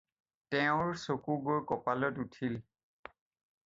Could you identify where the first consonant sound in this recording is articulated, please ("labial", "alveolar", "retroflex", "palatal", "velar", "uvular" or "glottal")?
alveolar